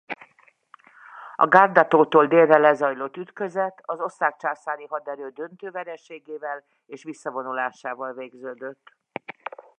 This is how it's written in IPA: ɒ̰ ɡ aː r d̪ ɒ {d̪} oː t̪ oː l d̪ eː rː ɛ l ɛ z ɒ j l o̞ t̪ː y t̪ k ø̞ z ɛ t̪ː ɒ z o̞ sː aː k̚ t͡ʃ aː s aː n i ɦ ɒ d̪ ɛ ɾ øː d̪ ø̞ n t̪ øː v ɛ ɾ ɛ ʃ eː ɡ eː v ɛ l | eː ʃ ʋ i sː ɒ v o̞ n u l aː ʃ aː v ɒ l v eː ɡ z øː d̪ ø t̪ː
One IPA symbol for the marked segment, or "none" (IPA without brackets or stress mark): t̪